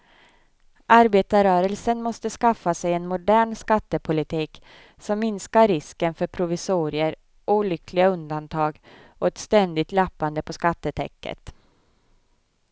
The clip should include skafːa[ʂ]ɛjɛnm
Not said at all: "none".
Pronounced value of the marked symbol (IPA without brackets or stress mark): s